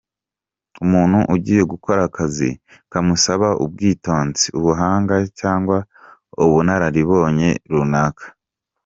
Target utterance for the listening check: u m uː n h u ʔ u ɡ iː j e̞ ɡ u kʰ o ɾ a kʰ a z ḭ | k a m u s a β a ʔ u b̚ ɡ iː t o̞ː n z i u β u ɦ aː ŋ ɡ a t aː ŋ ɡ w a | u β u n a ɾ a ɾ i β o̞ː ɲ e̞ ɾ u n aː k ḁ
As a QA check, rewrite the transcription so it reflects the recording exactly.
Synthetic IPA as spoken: u m uː n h u ʔ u ɟ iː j e̞ ɡ u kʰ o ɾ a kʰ a z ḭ | k a m u s a β a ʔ u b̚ ɡ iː t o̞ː n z i u β u ɦ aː ŋ ɡ a c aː ŋ ɡ w a | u β u n a ɾ a ɾ i β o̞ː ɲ e̞ ɾ u n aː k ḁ